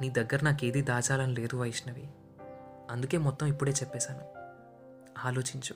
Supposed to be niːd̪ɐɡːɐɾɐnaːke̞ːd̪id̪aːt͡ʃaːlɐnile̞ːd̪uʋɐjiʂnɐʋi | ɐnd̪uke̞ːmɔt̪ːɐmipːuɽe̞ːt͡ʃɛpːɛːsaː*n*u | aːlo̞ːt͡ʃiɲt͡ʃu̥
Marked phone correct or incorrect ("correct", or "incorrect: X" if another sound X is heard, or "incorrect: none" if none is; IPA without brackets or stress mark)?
correct